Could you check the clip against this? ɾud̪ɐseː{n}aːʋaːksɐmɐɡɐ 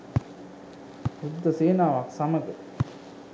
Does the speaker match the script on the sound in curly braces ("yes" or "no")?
yes